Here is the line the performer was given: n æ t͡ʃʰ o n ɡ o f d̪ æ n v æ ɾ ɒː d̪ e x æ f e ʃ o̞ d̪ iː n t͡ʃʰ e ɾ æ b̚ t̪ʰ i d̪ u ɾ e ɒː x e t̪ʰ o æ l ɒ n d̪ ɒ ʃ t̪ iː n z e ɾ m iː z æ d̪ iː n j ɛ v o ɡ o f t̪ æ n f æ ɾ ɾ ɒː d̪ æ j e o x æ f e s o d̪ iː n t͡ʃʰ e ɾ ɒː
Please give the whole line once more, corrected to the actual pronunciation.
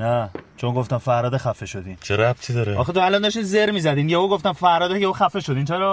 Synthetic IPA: n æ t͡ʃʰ o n ɡ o f t̪ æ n f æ ɾ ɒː d̪ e x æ f e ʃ o̞ d̪ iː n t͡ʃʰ e ɾ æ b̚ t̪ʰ i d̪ ɒ ɾ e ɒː x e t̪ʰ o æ l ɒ n d̪ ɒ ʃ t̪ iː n z e ɾ m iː z æ d̪ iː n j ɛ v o ɡ o f t̪ æ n f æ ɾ ɾ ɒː d̪ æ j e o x æ f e ʃ o d̪ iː n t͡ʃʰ e ɾ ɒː